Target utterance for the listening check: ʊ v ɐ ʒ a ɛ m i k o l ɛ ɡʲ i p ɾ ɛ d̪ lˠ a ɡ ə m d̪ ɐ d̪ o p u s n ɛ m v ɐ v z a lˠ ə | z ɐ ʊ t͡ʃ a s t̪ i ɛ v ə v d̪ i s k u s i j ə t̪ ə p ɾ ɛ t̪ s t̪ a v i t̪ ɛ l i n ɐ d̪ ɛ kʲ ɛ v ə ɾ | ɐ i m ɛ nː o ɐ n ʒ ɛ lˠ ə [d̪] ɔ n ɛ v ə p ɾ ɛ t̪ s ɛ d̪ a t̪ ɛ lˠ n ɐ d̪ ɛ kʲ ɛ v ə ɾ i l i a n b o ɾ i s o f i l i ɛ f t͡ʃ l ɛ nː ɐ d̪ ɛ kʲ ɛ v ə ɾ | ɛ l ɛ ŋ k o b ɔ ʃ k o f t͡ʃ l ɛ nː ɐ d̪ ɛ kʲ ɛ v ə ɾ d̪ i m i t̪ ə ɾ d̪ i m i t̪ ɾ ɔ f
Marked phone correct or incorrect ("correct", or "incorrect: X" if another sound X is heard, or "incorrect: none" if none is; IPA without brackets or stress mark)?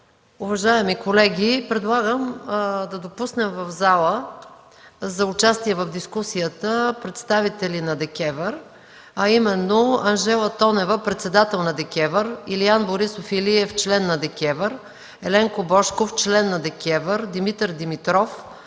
incorrect: t̪